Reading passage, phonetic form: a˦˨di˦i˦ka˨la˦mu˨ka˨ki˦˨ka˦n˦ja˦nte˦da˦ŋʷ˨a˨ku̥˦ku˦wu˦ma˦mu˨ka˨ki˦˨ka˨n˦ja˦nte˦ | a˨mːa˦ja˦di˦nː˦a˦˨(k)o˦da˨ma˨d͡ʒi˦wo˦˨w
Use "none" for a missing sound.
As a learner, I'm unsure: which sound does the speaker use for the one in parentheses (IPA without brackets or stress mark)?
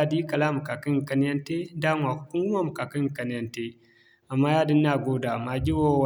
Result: ɡ